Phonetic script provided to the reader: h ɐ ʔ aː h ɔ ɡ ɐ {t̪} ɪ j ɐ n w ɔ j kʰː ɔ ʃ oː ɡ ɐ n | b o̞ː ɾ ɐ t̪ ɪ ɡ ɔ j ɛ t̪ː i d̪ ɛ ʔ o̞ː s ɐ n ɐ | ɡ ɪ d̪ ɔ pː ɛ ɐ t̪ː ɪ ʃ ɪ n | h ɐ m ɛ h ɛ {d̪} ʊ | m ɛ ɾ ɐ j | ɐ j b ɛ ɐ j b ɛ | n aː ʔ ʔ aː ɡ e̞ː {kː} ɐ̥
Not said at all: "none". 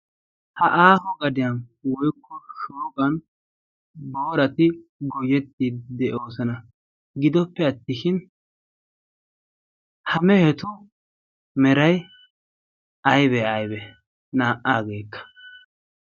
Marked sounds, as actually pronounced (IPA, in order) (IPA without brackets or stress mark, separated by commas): d̪, t̪, kː